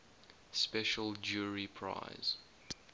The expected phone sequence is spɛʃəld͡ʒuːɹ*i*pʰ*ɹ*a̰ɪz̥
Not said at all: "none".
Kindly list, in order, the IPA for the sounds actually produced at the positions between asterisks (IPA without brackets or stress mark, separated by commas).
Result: i, ɹ